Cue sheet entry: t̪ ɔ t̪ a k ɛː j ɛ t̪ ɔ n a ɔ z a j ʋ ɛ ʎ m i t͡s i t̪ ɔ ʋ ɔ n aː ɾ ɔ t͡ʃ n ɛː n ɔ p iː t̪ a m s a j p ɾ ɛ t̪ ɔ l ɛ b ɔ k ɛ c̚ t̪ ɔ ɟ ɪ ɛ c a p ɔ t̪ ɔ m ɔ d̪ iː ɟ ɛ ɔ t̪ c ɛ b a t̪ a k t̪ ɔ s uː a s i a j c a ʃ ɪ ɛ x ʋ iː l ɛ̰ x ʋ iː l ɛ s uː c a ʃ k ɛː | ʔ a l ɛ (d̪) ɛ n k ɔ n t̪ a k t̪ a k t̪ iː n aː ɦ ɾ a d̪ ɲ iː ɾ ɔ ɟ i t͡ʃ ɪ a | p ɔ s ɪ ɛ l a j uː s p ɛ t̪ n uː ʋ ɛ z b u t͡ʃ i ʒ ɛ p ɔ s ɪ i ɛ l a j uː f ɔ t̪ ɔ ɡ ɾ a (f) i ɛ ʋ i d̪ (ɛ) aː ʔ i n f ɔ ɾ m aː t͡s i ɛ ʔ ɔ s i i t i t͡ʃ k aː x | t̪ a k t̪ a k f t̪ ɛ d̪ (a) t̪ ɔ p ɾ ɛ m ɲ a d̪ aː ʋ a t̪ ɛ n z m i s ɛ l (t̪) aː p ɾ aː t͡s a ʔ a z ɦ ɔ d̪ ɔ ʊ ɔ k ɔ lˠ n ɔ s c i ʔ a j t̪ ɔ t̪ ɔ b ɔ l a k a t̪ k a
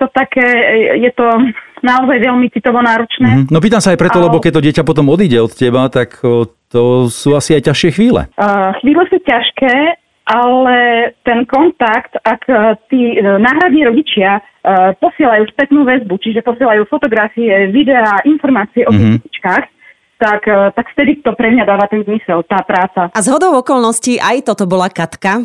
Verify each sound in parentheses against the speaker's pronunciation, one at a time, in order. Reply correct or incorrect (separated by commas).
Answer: incorrect, correct, correct, incorrect, correct